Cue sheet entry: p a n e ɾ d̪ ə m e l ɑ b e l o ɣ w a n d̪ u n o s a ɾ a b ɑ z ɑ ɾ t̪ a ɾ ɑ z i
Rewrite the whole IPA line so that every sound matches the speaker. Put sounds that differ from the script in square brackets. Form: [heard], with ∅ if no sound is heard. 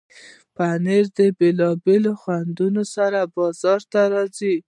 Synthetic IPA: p a n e ɾ d̪ ə [b] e l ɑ b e l o [x] w a n d̪ u n o s a ɾ a b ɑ z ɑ ɾ t̪ a ɾ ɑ z i